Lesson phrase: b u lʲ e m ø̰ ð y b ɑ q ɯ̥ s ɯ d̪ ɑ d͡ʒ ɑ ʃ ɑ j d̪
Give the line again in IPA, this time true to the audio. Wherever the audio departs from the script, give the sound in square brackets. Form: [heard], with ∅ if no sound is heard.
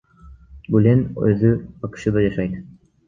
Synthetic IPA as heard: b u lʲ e [n] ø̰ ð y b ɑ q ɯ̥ [ʃ] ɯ d̪ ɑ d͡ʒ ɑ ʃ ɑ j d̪